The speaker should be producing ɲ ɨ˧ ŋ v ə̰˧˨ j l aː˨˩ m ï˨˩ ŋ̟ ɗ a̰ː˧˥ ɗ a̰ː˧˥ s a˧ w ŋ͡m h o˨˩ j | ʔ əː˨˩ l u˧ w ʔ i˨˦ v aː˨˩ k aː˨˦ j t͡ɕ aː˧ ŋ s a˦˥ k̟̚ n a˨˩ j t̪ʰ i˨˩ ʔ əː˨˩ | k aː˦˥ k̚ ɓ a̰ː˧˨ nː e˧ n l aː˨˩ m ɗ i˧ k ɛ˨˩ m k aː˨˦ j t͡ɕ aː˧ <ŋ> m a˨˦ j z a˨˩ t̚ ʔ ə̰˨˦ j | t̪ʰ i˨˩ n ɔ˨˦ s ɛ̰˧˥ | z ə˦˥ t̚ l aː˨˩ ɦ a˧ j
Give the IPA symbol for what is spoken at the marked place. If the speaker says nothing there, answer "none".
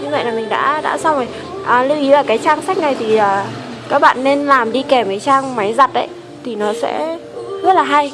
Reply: ŋ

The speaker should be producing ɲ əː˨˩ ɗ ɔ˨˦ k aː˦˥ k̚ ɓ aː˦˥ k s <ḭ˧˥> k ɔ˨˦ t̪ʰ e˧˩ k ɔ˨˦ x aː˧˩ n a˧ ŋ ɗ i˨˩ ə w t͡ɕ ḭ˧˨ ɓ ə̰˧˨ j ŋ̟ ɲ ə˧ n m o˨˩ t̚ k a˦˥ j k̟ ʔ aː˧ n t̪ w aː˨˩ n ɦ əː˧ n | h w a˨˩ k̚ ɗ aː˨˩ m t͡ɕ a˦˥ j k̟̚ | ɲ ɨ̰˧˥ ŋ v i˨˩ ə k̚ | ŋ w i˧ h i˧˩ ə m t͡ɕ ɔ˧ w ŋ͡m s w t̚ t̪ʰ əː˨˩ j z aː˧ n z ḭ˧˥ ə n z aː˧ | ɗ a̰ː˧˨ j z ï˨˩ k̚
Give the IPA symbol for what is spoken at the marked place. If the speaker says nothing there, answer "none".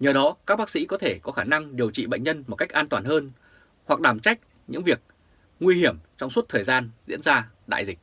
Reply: ḭ˧˥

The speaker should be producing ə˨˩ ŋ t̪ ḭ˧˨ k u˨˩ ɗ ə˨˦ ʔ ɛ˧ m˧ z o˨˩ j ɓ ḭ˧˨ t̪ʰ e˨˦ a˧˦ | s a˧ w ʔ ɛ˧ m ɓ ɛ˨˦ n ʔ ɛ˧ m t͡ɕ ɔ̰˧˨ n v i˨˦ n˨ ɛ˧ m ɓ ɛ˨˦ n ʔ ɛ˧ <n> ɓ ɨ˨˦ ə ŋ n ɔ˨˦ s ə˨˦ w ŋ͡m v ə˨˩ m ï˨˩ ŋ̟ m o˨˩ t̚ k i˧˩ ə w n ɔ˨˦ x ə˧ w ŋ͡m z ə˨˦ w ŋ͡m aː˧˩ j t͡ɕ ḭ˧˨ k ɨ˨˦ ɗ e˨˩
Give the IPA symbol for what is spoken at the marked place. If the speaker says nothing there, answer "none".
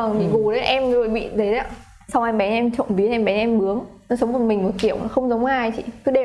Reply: m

